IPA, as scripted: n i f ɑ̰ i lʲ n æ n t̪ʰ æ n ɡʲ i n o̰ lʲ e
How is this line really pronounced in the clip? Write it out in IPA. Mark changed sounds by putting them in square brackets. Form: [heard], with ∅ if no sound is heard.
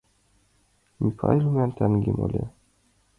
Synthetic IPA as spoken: [m] i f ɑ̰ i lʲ [m] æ n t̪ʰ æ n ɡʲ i [m] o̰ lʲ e